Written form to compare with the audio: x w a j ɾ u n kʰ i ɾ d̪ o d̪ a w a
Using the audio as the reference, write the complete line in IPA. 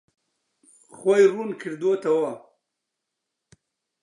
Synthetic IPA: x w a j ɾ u n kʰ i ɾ d̪ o t̪ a w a